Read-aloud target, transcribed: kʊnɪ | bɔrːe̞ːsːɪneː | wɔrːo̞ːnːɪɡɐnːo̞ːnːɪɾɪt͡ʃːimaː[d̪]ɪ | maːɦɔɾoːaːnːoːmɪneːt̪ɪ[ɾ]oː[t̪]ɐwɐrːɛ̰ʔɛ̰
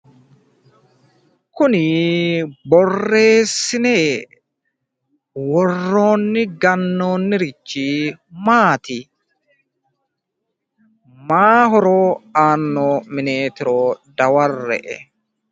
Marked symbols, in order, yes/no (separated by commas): no, yes, no